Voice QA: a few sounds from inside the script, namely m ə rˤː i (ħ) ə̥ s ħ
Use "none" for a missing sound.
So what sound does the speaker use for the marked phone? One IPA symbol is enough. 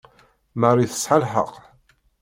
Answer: θ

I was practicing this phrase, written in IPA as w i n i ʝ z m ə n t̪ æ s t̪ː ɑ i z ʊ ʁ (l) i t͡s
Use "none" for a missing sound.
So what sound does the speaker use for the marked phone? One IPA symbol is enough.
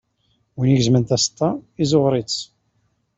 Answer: ɾ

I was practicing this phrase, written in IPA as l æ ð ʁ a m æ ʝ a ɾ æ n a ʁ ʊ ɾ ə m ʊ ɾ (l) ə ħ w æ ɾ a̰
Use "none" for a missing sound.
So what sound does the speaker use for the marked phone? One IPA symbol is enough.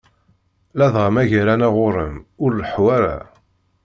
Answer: l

